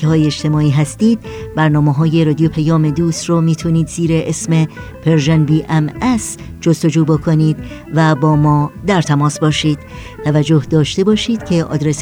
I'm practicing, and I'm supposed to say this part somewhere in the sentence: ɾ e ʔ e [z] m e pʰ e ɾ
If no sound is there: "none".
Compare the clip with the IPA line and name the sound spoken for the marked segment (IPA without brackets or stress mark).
s